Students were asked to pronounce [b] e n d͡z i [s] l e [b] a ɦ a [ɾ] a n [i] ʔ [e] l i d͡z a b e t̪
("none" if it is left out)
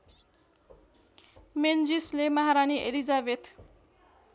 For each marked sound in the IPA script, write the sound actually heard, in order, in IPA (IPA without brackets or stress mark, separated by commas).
m, s, m, ɾ, i, e